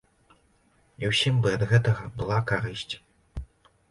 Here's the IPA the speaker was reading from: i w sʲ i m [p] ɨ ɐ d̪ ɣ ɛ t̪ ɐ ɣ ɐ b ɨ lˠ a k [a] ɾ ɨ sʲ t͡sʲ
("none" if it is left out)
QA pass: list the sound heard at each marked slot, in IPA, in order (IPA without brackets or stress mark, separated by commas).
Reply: b, a